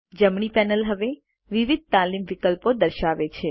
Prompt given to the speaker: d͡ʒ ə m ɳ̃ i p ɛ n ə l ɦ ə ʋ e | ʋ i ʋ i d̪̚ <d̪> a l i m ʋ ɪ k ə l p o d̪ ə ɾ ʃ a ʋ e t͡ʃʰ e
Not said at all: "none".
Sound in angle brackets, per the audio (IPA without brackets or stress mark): t̪